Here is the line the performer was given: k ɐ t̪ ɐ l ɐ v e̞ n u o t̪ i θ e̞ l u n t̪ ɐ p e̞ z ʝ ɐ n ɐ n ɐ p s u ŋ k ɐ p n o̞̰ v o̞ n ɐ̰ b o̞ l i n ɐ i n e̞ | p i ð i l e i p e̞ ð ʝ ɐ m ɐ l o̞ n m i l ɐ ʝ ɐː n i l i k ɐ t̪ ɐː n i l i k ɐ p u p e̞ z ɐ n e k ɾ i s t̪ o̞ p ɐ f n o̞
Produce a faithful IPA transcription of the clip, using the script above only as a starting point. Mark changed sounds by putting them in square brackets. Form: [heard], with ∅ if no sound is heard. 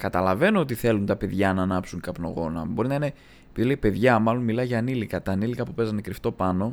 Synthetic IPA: k ɐ t̪ ɐ l ɐ v e̞ n [o] o t̪ i θ e̞ l u n t̪ ɐ p e̞ [ð] ʝ ɐ n ɐ n ɐ p s u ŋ k ɐ p n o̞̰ [ɣ] o̞ n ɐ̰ b o̞ [ɾ] i n ɐ i n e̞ | p i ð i l e i p e̞ ð ʝ ɐ m ɐ l o̞ n m i l ɐ ʝ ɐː n i l i k ɐ t̪ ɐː n i l i k ɐ p u p e̞ z ɐ n e k ɾ i [f] t̪ o̞ p ɐ [∅] n o̞